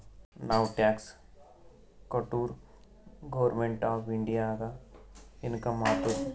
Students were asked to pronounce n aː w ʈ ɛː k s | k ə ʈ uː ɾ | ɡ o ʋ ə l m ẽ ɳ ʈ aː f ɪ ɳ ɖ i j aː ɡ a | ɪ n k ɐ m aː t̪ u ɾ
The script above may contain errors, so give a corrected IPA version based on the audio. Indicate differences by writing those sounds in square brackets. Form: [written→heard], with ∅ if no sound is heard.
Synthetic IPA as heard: n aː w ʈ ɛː k s | k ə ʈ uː ɾ | ɡ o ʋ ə [l→ɾ] m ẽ ɳ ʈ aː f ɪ ɳ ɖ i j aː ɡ a | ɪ n k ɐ m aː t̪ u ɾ